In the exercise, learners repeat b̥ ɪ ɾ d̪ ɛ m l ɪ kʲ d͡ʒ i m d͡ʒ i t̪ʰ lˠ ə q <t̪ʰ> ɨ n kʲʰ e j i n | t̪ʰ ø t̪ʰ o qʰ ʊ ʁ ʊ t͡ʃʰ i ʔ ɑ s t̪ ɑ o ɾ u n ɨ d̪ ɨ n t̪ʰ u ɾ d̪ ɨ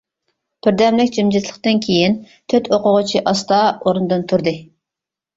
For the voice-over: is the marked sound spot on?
no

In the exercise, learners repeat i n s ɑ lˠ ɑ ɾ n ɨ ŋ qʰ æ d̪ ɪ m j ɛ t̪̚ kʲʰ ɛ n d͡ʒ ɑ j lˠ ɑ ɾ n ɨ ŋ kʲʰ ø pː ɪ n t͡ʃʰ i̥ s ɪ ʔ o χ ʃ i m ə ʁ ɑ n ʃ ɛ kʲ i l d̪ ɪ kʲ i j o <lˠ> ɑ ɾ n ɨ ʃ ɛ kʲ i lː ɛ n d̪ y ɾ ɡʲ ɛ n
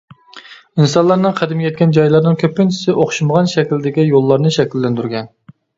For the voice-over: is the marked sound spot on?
no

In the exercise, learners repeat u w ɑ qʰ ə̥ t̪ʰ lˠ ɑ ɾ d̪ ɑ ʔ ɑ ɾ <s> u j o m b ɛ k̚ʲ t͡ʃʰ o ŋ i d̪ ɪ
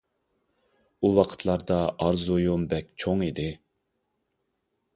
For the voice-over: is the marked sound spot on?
no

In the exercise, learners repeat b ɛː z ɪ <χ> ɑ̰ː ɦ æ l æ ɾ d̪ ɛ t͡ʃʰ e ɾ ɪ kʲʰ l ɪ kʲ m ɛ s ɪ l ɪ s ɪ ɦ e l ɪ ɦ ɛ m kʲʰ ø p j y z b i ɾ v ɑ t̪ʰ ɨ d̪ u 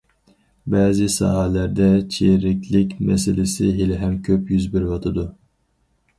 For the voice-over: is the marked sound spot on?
no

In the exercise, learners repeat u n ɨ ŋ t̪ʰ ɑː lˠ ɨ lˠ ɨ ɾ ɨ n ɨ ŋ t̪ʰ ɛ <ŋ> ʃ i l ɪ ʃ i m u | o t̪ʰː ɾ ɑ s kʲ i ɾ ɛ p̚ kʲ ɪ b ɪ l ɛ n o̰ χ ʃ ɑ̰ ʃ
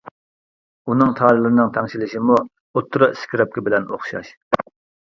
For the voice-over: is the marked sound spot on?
yes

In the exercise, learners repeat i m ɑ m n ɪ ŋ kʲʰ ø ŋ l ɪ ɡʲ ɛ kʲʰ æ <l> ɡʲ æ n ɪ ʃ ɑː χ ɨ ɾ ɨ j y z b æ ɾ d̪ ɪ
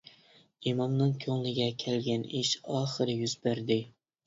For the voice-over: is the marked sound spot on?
yes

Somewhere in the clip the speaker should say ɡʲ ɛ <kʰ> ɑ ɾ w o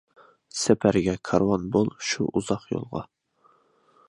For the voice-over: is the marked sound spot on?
yes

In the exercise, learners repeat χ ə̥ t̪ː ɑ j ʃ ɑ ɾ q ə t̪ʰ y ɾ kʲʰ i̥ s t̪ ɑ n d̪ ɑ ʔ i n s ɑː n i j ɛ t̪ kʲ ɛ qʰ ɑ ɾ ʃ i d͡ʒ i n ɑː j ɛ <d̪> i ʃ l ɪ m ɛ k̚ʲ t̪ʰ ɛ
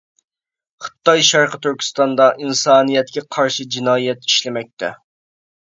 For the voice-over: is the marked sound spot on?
no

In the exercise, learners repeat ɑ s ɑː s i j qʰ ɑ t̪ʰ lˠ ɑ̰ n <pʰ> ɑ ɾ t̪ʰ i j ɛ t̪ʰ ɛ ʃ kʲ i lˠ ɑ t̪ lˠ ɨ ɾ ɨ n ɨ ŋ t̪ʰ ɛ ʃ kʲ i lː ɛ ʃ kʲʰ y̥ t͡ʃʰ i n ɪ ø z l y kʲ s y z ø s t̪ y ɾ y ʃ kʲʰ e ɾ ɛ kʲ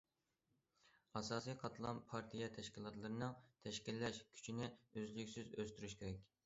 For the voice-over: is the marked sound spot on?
yes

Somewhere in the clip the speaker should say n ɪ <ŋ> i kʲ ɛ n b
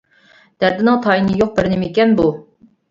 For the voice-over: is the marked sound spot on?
no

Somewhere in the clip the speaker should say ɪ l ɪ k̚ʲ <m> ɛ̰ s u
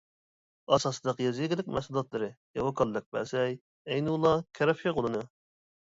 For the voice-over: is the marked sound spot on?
yes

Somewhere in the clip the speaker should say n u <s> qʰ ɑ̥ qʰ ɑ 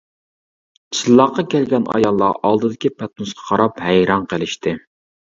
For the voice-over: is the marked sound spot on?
yes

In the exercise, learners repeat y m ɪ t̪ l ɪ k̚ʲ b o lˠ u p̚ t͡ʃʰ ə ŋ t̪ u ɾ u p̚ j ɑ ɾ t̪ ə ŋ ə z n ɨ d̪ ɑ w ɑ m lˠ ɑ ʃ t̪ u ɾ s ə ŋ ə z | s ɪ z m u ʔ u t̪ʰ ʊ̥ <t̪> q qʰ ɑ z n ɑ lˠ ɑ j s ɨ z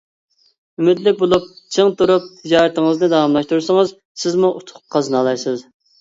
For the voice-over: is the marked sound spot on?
no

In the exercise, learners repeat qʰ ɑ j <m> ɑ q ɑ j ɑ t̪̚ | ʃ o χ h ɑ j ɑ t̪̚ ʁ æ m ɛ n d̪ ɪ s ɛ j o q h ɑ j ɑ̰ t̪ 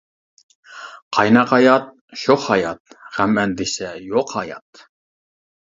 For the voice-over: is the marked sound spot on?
no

